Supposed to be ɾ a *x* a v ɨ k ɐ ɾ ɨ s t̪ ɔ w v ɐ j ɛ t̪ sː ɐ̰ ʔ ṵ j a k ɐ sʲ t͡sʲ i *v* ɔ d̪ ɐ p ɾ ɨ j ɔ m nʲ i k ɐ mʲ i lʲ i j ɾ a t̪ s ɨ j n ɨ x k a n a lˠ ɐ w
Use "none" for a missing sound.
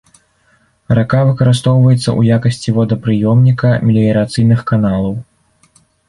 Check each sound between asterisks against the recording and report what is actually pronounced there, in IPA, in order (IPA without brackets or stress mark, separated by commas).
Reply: k, v